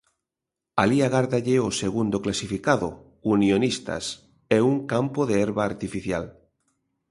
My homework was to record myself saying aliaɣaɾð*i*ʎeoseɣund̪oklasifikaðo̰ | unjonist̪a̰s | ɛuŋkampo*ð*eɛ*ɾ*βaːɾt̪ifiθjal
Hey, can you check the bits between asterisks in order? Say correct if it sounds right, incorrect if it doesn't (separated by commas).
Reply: incorrect, correct, correct